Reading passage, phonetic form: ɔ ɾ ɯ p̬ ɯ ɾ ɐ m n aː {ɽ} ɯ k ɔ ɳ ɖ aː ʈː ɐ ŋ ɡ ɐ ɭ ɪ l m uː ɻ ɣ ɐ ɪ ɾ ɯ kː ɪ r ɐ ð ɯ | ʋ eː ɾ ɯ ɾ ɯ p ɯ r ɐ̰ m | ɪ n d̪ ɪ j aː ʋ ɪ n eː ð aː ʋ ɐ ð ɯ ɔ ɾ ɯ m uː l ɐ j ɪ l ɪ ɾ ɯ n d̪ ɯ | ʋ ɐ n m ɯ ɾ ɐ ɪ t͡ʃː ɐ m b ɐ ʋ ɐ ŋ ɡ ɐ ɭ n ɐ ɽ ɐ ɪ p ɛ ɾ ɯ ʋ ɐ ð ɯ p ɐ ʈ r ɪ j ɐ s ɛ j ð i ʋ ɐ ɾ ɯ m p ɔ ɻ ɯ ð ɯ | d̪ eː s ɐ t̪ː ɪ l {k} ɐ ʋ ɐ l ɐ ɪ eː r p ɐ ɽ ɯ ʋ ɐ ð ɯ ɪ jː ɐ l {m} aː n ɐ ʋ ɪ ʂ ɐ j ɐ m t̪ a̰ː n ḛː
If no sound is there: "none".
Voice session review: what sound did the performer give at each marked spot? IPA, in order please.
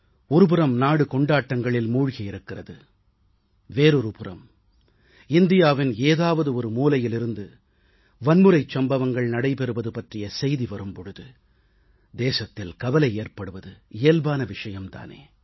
ɽ, k, b

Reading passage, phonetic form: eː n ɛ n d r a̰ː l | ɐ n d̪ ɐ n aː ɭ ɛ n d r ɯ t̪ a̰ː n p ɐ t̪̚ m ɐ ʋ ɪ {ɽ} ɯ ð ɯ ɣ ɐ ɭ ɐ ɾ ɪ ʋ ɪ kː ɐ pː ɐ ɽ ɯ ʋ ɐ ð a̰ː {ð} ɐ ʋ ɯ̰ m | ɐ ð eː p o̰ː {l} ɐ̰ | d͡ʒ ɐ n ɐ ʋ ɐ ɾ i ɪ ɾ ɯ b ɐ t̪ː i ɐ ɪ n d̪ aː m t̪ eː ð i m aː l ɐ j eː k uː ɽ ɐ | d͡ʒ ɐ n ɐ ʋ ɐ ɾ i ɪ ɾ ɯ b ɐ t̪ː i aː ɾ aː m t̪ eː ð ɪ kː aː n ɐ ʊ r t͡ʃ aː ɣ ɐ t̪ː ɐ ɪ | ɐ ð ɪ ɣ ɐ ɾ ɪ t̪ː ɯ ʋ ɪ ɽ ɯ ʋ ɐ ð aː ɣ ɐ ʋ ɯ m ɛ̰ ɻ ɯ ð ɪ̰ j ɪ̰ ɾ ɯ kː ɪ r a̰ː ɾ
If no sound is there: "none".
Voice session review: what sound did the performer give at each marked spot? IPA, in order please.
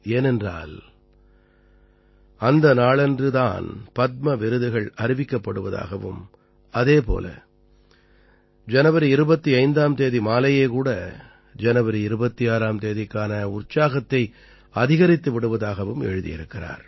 ɾ, ɣ, l

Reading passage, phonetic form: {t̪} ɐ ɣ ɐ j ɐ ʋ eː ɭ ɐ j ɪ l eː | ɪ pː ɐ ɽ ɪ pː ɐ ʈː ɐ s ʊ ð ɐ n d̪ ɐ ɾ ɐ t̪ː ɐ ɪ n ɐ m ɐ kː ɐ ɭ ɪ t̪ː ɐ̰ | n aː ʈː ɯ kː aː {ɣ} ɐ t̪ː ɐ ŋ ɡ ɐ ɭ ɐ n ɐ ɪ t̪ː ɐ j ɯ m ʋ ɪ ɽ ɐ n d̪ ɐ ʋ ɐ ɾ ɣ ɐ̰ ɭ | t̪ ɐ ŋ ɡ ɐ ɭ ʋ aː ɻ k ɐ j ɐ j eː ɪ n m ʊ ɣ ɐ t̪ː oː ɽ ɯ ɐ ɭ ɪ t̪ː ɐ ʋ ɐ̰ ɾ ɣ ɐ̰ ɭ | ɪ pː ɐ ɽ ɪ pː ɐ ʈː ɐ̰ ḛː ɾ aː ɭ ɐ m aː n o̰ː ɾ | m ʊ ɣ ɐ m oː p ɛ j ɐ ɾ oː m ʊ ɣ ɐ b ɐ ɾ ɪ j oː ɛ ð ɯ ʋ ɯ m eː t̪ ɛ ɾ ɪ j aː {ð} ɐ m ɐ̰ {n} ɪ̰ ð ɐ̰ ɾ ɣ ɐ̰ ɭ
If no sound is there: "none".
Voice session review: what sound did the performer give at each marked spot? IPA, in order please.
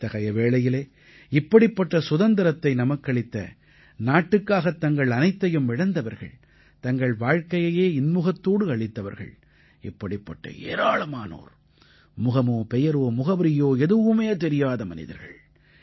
t̪, ɣ, ð, n

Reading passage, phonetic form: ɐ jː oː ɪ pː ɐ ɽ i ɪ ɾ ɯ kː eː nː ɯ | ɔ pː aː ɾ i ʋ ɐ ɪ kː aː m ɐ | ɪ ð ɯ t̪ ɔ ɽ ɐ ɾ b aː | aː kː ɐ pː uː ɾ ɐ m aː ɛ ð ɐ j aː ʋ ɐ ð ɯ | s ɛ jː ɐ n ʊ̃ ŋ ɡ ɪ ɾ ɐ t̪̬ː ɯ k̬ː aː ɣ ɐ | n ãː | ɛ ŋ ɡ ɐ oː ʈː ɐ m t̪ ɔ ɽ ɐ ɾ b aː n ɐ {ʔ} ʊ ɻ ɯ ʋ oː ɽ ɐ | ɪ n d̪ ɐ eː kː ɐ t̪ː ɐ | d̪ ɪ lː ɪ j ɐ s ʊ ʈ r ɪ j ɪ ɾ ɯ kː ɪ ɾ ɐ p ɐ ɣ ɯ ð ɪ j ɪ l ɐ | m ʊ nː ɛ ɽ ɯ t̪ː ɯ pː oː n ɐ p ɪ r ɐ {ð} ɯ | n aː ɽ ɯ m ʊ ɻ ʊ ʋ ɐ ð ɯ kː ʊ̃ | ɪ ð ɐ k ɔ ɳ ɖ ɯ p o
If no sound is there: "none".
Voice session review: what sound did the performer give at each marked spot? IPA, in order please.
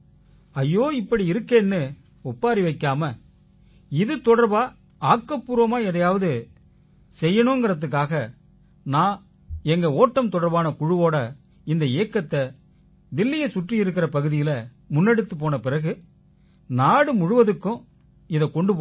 k, ɣ

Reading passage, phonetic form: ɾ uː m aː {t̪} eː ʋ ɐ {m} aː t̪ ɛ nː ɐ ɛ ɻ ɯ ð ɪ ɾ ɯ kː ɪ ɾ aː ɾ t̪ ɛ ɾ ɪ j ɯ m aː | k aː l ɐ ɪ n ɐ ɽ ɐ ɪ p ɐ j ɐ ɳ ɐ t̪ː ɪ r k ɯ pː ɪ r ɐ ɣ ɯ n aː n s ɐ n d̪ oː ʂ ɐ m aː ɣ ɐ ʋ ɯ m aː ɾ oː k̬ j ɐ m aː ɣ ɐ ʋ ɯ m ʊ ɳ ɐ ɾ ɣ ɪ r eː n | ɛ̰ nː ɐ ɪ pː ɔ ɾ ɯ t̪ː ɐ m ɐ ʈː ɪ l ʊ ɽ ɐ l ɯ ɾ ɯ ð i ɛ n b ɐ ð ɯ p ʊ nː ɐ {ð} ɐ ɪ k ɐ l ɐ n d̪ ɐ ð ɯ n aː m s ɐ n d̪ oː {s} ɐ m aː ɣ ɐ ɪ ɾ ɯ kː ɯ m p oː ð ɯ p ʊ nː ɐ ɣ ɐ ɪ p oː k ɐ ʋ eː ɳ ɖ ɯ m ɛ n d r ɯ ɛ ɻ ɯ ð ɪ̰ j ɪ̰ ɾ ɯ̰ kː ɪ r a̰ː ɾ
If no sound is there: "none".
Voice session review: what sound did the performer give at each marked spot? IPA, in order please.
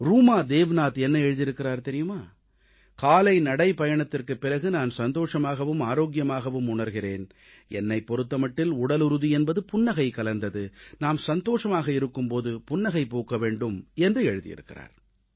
d̪, n, ɣ, ʂ

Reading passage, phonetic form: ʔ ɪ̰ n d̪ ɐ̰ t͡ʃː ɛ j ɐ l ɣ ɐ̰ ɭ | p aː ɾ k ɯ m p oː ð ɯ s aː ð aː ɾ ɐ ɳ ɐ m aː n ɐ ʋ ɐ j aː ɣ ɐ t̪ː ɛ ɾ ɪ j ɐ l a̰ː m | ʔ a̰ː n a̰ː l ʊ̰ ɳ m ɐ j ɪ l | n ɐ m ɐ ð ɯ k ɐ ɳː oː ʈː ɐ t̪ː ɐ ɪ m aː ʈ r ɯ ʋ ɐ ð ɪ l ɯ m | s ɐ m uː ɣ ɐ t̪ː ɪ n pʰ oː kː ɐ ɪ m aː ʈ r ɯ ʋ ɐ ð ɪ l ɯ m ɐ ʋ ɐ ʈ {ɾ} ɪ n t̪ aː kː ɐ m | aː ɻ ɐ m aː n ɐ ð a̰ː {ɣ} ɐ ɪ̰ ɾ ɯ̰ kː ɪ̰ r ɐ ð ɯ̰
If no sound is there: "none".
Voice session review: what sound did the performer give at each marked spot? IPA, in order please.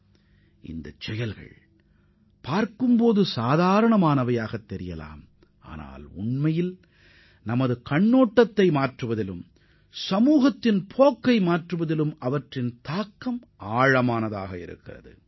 r, ɣ

